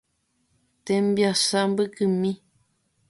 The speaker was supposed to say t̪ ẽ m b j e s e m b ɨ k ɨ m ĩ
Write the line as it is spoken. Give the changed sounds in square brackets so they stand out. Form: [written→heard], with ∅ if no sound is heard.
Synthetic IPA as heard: t̪ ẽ m b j [e→a] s [e→a] m b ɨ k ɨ m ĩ